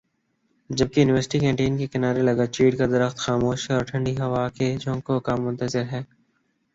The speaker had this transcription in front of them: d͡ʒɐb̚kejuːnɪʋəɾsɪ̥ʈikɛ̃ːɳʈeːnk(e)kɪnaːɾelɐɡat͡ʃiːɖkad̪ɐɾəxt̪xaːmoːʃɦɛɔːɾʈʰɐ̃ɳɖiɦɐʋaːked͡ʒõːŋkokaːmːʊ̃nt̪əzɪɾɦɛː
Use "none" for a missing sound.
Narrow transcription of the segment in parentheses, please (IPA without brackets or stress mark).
e